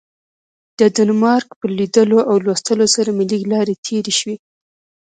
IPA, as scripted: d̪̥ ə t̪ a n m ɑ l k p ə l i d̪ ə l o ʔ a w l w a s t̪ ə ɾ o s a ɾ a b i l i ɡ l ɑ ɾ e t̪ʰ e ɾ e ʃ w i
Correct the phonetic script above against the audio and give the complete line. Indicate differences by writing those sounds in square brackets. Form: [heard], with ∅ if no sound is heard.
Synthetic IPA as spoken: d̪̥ ə [d̪] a n m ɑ [ɾ] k p ə l i d̪ ə l o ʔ a w l w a s t̪ ə [l] o s a ɾ a [m] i l i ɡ l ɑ ɾ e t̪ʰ e ɾ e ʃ w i